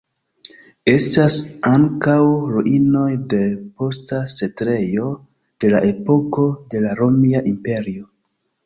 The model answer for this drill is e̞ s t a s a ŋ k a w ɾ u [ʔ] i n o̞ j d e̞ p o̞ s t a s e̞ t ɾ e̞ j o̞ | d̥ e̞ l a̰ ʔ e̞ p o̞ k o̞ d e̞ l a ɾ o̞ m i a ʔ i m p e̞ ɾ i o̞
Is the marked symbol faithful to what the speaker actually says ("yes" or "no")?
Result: yes